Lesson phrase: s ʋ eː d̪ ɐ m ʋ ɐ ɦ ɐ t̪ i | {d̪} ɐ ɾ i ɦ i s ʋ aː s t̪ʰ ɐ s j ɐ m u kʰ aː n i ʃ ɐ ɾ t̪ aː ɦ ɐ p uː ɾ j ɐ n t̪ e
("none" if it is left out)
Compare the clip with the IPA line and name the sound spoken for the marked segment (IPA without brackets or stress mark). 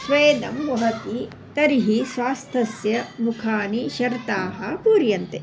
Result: t̪